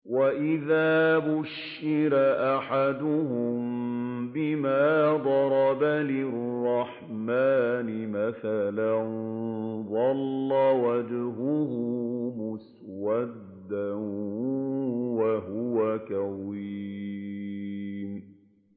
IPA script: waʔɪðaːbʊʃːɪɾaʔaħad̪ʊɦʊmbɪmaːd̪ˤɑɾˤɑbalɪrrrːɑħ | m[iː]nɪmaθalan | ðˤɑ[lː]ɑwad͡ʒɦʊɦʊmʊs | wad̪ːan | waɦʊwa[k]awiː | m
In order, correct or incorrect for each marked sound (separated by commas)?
incorrect, correct, correct